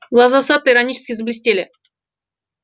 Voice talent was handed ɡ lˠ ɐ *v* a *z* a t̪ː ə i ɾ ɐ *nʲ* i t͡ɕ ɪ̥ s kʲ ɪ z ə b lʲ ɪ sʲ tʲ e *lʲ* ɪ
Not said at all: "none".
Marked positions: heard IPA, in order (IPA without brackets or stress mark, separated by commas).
z, s, nʲ, lʲ